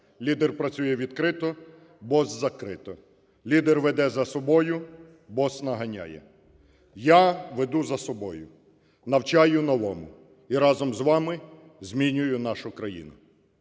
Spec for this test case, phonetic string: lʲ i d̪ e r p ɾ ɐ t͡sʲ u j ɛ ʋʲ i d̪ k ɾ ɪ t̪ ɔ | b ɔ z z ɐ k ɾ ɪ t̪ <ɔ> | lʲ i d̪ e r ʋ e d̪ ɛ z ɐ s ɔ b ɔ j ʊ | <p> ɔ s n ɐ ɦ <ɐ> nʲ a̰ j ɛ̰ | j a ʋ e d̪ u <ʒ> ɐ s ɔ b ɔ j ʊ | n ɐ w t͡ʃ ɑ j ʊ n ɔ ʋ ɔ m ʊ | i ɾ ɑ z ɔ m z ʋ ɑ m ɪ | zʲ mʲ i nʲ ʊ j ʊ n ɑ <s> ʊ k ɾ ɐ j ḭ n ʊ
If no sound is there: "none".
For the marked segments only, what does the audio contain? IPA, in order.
ɔ, b, ɐ, z, ʃ

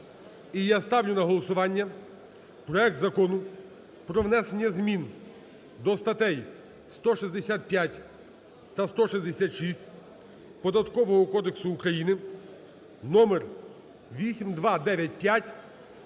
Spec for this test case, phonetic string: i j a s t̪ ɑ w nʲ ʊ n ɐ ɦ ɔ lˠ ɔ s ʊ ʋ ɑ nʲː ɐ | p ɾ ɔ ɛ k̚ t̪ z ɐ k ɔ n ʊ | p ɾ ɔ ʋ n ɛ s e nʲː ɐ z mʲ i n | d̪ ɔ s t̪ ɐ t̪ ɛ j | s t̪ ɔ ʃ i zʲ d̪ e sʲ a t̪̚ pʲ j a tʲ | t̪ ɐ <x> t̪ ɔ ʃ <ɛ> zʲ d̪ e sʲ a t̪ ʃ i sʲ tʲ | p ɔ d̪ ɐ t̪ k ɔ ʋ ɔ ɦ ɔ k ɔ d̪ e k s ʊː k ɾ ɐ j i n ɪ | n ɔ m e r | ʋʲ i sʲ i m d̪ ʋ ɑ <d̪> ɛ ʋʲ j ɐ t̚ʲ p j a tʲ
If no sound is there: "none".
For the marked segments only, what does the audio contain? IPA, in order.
s, i, d̪

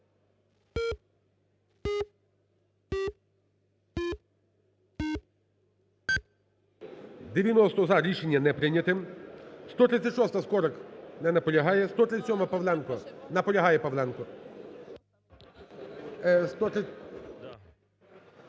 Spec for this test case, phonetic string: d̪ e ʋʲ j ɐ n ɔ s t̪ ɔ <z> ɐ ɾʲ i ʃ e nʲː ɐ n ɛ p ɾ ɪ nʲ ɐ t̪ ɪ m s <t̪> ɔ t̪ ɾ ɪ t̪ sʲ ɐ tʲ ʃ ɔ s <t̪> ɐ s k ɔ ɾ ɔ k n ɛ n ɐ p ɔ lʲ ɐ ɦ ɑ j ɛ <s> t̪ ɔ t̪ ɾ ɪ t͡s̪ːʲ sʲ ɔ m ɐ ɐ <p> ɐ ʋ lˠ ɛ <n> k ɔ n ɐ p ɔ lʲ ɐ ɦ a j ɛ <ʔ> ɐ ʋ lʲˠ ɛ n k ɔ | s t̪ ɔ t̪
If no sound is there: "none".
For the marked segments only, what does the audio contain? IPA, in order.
z, t̪, t̪, s, p, n, p

